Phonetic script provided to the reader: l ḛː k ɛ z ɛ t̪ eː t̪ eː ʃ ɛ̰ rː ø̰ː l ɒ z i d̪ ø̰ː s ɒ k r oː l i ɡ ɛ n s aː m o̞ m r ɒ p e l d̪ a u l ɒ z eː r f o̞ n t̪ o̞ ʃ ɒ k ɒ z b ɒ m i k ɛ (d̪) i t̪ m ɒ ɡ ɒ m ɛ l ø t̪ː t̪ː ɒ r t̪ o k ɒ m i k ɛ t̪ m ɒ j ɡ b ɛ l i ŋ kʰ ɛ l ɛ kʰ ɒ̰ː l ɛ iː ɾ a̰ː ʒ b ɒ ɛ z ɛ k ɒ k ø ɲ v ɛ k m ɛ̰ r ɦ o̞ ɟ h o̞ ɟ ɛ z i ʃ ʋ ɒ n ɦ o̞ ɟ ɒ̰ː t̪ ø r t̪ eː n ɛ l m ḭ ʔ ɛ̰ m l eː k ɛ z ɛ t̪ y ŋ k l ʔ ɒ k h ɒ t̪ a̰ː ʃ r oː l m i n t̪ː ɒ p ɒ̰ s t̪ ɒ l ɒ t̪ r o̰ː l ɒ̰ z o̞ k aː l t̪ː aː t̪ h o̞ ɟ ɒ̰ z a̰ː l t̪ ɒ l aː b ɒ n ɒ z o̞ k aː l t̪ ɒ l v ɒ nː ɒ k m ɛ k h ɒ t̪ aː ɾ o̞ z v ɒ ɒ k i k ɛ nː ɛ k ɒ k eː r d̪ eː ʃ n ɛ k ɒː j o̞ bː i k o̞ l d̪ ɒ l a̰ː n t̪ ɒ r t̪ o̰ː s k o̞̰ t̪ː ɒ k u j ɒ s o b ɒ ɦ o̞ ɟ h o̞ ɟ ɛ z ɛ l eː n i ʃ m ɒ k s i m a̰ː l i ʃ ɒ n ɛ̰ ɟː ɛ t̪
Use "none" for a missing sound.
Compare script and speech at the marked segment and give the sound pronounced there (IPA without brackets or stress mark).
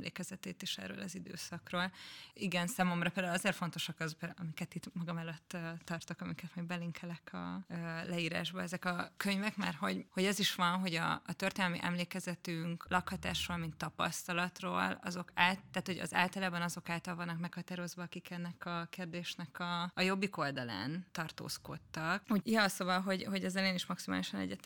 t̪